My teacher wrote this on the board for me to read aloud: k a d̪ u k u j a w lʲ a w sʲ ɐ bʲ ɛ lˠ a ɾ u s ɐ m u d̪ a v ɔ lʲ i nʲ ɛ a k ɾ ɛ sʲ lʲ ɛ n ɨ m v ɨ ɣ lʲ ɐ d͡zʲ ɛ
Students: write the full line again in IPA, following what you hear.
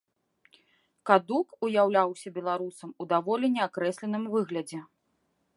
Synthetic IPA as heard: k a d̪ u k u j a w lʲ a w sʲ ɐ bʲ ɛ lˠ a ɾ u s ɐ m u d̪ a v ɔ lʲ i nʲ ɛ a k ɾ ɛ sʲ lʲ ɛ n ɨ m v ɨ ɣ lʲ ɐ d͡zʲ ɛ